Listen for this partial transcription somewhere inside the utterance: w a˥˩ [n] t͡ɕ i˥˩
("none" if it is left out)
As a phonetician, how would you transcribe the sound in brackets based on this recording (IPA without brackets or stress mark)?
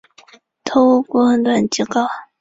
n